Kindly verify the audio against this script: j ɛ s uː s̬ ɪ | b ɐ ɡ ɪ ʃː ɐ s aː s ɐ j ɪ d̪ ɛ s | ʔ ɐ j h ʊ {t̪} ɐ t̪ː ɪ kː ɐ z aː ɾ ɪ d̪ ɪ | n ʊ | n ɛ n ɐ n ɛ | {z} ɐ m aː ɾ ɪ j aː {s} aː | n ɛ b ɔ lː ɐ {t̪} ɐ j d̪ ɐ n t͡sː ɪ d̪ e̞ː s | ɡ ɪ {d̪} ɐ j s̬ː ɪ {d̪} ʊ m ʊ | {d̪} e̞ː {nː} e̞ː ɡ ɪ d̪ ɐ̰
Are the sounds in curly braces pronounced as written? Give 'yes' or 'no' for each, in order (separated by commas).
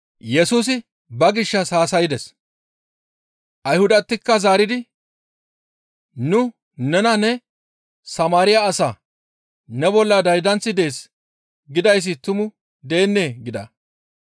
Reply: no, no, yes, no, yes, no, yes, yes